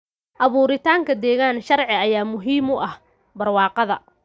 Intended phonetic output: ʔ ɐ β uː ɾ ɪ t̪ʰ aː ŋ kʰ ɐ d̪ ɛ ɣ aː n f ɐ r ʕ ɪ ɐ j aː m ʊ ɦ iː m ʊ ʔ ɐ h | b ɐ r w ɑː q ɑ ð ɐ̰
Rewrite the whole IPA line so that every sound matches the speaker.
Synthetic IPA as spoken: ʔ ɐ β uː ɾ ɪ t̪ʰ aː ŋ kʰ ɐ d̪ ɛː ɣ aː n ʃ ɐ r ʕ ɪ ɐ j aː m ʊ ɦ iː m ʊ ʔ ɐ h | b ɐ r w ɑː q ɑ ð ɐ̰